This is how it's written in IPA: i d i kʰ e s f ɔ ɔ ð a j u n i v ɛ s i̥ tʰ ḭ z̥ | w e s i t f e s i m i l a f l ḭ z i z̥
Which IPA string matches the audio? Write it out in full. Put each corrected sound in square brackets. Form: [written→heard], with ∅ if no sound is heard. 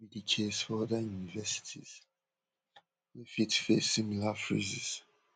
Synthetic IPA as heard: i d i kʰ e s f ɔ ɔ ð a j u n i v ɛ s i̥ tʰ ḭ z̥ | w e [s→f] i t f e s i m i l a f [l→ɹ] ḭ z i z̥